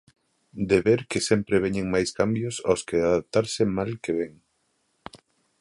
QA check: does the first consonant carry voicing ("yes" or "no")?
yes